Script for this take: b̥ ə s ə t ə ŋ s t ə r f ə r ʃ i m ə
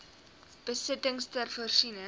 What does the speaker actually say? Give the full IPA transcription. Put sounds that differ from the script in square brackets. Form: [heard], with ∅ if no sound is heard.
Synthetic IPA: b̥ ə s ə t ə ŋ s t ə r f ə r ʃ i [n] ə